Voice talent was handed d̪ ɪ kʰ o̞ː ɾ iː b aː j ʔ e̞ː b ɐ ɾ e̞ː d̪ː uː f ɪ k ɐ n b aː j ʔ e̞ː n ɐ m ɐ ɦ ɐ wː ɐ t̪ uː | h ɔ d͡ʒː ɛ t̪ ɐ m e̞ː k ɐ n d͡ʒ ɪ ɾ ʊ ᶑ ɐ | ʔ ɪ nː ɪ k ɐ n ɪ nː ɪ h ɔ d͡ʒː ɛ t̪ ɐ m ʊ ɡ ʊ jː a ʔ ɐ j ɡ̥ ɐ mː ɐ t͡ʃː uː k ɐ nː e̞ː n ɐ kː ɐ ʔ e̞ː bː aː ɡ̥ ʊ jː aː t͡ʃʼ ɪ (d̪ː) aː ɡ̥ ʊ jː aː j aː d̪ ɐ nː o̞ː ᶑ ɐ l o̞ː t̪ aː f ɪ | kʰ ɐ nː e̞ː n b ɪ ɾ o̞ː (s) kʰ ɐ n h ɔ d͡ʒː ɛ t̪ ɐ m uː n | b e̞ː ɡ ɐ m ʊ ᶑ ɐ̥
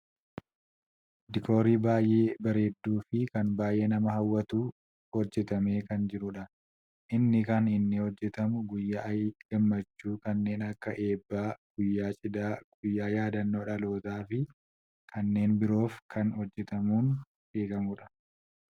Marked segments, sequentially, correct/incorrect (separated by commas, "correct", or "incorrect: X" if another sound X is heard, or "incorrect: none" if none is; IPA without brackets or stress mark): incorrect: d̪, incorrect: f